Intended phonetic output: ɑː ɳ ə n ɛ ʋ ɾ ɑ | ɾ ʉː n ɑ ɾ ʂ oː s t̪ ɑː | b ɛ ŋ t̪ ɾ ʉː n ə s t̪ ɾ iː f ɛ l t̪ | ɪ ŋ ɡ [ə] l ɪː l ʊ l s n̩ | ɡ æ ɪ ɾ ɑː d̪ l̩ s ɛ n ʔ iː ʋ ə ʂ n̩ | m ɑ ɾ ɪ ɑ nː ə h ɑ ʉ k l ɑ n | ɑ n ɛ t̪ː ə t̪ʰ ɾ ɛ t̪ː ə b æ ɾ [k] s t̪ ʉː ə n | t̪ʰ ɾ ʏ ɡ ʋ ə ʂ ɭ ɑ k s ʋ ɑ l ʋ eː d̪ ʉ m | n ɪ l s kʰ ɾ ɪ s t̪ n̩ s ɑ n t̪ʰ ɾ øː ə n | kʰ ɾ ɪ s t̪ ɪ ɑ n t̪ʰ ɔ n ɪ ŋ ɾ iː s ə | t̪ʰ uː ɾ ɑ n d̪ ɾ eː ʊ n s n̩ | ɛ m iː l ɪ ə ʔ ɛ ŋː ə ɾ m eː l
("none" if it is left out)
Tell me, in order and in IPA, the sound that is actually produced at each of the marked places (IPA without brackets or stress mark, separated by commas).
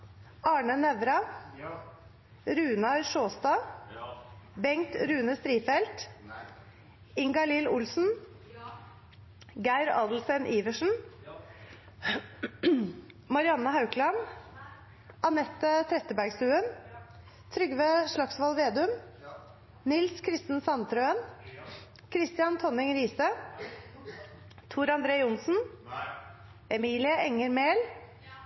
ɑ, ɡ